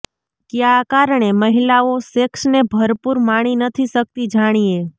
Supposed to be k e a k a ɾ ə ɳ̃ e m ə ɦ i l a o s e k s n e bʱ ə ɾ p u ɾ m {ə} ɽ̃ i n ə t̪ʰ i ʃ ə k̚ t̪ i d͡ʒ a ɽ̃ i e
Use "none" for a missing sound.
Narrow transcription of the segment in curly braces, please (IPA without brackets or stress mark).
a